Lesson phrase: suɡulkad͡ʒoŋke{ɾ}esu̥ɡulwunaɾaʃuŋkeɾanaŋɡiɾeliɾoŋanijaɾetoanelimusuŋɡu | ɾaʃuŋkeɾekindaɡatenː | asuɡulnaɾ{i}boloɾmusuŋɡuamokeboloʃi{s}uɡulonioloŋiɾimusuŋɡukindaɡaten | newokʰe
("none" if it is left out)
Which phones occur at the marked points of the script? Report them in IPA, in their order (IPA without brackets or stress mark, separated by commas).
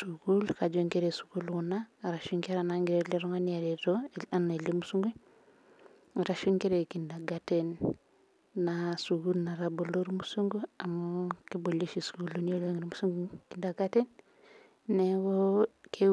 ɾ, a, s